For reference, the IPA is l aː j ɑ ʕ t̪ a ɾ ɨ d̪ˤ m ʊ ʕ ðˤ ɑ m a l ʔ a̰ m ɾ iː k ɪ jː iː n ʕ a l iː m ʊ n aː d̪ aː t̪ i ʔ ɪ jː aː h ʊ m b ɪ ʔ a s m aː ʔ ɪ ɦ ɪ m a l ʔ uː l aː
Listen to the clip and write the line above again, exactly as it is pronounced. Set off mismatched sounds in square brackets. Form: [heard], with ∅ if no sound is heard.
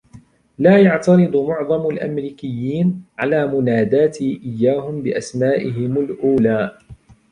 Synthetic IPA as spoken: l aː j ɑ ʕ t̪ [ɑ] ɾ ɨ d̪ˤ m ʊ ʕ ðˤ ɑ m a l ʔ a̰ m ɾ iː k ɪ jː iː n ʕ a l [aː] m ʊ n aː d̪ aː t̪ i ʔ ɪ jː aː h ʊ m b ɪ ʔ a s m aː ʔ ɪ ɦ ɪ m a l ʔ uː l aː